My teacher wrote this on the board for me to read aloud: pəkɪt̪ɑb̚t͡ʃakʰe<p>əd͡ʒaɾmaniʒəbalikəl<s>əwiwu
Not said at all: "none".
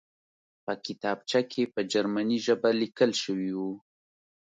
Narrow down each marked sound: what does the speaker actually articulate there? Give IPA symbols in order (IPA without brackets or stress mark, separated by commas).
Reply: p, ʃ